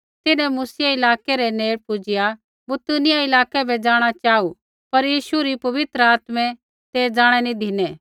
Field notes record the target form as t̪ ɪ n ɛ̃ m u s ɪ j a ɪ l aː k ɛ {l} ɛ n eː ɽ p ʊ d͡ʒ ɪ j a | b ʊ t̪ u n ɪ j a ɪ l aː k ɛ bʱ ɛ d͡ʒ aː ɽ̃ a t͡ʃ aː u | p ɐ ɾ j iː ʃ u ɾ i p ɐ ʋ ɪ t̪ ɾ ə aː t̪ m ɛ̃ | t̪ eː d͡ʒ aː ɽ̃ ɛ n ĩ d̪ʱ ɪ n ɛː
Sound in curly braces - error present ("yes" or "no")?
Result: yes